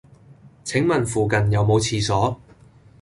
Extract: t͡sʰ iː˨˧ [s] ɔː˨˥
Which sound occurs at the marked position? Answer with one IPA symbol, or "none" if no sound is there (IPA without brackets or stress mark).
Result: s